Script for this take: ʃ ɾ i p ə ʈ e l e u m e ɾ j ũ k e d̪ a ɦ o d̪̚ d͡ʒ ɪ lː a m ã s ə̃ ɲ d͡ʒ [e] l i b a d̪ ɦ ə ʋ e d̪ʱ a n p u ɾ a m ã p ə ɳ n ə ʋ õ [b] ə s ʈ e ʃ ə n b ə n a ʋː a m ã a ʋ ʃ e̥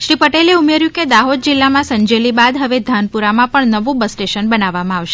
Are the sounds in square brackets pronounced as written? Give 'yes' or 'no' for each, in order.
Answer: yes, yes

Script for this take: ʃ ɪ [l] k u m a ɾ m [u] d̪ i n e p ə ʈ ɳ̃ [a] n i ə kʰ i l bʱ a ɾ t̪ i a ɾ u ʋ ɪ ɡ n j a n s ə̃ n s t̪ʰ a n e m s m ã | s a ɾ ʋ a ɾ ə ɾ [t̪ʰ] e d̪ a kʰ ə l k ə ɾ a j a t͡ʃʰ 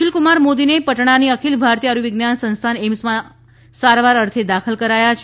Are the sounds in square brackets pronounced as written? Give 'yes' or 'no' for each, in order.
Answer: yes, no, yes, yes

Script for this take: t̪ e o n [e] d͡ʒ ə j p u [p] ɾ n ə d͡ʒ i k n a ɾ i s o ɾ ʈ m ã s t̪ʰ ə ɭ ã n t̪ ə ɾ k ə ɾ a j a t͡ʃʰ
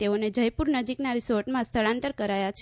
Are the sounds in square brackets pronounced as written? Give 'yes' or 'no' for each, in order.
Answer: yes, no

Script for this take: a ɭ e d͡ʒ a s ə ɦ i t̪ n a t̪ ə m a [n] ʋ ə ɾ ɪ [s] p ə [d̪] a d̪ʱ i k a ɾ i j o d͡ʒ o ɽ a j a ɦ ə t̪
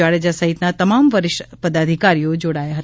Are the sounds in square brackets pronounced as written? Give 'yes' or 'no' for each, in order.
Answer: no, no, yes

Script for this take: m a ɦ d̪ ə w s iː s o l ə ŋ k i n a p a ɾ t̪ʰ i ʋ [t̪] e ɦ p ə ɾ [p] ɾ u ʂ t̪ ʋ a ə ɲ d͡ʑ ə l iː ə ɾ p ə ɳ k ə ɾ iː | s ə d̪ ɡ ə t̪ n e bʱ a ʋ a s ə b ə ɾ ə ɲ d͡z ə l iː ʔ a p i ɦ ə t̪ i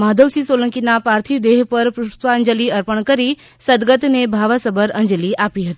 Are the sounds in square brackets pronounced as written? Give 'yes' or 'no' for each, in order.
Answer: no, yes

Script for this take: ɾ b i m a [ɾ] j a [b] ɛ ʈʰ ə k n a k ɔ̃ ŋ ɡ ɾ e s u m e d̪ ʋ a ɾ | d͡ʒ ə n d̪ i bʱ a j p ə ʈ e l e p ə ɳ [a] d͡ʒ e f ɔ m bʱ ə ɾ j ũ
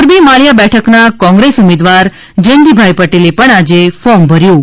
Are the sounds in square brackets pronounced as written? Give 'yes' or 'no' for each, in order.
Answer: no, yes, yes

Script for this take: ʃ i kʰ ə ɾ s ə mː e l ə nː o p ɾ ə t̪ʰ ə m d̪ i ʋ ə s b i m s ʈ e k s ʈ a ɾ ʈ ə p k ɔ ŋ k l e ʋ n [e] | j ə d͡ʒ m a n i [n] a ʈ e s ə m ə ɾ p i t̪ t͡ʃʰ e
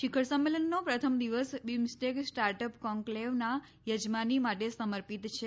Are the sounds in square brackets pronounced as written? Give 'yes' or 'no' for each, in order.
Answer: no, no

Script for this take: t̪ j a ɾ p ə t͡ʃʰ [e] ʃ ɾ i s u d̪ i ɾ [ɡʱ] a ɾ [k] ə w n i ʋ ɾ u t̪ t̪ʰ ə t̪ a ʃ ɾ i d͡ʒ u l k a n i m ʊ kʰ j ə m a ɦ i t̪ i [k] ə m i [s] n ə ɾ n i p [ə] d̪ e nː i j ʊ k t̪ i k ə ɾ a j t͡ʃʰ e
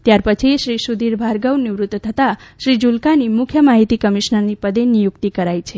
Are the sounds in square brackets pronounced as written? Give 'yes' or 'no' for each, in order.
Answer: no, no, no, yes, no, yes

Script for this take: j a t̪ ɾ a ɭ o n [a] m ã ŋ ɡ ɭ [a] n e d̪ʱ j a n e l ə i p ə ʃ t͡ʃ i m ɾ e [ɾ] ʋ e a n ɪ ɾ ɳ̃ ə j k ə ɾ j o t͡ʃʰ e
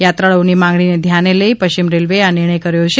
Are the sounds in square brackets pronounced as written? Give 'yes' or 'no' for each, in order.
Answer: no, no, no

